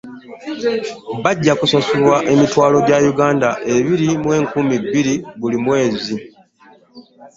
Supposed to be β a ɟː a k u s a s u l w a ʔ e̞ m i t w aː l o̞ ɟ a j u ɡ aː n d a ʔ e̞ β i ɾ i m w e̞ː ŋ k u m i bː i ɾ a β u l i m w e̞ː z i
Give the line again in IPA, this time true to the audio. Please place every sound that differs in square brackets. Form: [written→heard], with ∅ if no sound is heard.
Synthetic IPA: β a ɟː a k u s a s u l w a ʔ e̞ m i t w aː l o̞ ɟ a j u ɡ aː n d a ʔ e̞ β i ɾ i m w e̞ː ŋ k u m i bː i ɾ [a→i] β u l i m w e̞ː z i